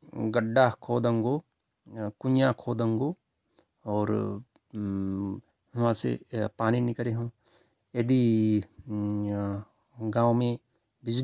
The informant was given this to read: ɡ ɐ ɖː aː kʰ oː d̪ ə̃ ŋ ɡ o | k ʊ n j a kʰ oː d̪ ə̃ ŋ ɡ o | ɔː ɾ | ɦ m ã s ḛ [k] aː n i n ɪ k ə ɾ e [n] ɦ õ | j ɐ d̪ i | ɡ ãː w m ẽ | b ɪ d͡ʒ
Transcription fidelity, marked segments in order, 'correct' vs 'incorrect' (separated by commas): incorrect, incorrect